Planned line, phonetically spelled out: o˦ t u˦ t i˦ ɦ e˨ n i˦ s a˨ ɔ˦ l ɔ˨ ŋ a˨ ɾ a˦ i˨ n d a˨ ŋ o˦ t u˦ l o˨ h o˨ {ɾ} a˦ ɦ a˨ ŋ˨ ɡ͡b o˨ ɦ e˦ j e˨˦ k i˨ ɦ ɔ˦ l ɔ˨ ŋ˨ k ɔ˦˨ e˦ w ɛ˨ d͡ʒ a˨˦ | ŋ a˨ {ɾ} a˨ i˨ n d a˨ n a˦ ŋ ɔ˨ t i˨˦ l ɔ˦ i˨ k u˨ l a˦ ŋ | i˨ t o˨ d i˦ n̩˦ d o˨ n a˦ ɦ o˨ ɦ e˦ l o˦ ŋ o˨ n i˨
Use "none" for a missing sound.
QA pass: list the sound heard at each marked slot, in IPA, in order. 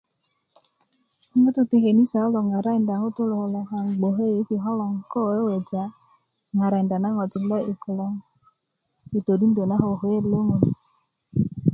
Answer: l, ɾ

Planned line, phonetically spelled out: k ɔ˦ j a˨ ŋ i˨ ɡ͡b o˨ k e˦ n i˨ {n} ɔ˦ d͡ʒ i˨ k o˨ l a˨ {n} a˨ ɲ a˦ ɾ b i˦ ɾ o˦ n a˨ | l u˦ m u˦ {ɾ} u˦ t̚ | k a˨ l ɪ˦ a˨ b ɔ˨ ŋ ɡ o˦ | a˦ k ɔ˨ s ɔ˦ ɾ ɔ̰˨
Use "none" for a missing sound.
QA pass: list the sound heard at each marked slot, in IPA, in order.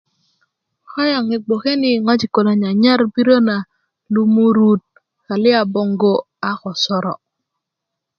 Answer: ŋ, ɲ, ɾ

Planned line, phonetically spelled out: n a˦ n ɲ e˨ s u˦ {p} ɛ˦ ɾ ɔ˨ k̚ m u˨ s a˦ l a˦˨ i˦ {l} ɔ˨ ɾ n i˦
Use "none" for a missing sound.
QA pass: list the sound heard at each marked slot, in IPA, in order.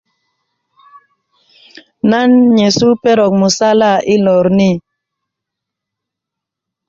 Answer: p, l

